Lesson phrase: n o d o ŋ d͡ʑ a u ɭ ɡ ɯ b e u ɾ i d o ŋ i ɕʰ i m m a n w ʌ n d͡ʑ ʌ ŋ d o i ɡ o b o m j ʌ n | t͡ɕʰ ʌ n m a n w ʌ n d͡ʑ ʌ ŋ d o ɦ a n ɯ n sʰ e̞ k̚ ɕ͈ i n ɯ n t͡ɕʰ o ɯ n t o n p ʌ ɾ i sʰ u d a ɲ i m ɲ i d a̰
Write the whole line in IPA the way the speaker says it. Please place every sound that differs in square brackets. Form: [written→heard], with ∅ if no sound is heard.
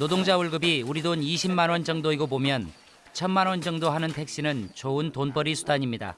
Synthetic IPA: n o d o ŋ d͡ʑ a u ɭ ɡ ɯ b [e→i] u ɾ i d o [ŋ→n] i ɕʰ i m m a n w ʌ n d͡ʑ ʌ ŋ d o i ɡ o b o m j ʌ n | t͡ɕʰ ʌ n m a n w ʌ n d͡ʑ ʌ ŋ d o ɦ a n ɯ n [sʰ→tʰ] e̞ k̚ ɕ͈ i n ɯ n [t͡ɕʰ→t͡ɕ] o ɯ n t o n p ʌ ɾ i sʰ u d a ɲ i m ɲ i d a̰

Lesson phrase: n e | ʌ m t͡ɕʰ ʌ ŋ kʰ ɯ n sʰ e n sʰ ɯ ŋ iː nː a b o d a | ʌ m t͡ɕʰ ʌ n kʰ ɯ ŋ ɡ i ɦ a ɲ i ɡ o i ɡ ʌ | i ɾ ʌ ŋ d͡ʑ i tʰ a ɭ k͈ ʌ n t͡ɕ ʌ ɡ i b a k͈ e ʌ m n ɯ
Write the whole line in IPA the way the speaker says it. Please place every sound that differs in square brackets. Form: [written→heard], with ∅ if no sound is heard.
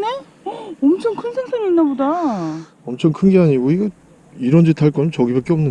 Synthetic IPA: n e | ʌ m t͡ɕʰ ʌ ŋ kʰ ɯ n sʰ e [n→ŋ] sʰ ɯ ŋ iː nː a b o d a | ʌ m t͡ɕʰ ʌ [n→ŋ] kʰ ɯ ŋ ɡ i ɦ a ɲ i ɡ o i ɡ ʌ | i ɾ ʌ [ŋ→n] d͡ʑ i tʰ a ɭ k͈ ʌ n t͡ɕ ʌ ɡ i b a k͈ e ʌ m n ɯ

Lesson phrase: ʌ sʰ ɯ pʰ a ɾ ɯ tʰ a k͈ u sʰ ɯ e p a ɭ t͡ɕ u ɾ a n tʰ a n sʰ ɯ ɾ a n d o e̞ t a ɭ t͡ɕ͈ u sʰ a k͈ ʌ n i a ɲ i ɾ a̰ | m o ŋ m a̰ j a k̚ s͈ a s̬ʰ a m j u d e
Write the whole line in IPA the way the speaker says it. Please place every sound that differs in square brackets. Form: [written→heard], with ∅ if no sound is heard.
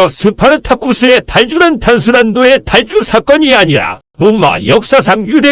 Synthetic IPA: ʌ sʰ ɯ pʰ a ɾ ɯ tʰ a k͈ u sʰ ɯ e [p→t] a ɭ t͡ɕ u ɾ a n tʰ a n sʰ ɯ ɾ a n d o e̞ t a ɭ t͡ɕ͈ u sʰ a k͈ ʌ [n→ɲ] i a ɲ i ɾ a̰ | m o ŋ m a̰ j [a→ʌ] k̚ s͈ a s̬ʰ a [m→ŋ] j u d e

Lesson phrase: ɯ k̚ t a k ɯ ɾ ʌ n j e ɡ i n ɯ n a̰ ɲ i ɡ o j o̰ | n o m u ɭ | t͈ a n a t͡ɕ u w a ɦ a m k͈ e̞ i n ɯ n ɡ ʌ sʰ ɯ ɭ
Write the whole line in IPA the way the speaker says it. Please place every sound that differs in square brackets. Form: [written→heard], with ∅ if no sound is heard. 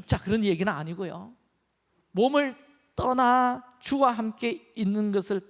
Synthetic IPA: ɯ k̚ [t→t͡ɕ͈] a k ɯ ɾ ʌ n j e ɡ i n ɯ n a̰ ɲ i ɡ o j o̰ | [n→m] o m [u→ɯ] ɭ | t͈ [a→ʌ] n a t͡ɕ u w a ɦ a m k͈ e̞ i [n→nː] ɯ n ɡ ʌ sʰ ɯ ɭ

